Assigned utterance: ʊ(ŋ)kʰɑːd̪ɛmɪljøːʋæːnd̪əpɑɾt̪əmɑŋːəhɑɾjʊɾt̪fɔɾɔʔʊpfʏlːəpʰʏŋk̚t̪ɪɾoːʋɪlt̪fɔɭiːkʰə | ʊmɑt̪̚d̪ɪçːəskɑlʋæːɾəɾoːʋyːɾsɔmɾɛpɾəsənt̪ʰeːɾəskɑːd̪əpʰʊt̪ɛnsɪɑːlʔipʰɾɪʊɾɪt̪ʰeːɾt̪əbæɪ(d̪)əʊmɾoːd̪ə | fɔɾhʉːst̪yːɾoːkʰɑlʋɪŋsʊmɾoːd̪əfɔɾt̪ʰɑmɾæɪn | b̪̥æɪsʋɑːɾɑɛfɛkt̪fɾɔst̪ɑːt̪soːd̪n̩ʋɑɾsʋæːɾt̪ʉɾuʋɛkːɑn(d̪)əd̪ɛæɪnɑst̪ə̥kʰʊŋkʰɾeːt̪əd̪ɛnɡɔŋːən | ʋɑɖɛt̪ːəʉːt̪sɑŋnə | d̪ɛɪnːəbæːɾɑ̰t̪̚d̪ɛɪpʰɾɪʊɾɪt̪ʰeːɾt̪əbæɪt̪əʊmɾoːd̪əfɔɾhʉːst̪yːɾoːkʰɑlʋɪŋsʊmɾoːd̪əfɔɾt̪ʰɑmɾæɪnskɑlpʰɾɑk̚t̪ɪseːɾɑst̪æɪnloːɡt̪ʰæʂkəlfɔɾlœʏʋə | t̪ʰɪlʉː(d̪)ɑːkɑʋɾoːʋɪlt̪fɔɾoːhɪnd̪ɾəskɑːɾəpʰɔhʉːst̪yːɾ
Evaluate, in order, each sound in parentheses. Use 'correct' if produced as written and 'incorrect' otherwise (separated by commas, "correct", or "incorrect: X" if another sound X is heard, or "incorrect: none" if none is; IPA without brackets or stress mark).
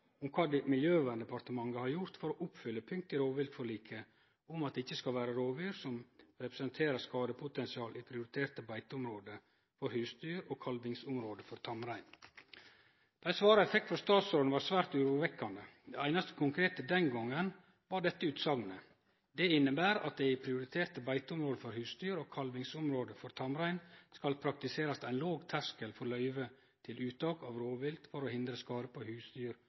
incorrect: m, incorrect: t̪, correct, incorrect: t̪